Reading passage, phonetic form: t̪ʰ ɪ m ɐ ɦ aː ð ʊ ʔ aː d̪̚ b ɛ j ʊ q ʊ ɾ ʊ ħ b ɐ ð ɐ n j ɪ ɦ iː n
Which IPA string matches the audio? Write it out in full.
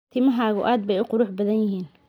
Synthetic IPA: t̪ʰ ɪ m ɐ ɦ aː ɣ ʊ ʔ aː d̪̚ b ɛ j ʊ q ʊ ɾ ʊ ħ b ɐ ð ɐ n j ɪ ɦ iː n